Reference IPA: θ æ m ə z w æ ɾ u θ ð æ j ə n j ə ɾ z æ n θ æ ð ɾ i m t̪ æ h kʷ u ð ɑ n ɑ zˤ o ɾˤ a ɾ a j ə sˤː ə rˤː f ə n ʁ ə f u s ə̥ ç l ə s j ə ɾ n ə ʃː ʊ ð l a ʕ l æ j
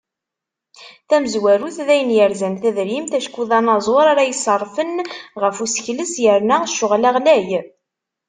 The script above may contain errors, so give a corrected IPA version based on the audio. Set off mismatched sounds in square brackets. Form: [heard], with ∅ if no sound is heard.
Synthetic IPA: θ æ m ə z w æ ɾ u θ ð æ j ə n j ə ɾ z æ n θ æ ð ɾ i m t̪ æ [ʃ] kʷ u ð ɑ n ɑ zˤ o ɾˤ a ɾ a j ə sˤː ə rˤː f ə n ʁ ə f u s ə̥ ç l ə s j ə ɾ n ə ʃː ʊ [ʁ] l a [ʁ] l æ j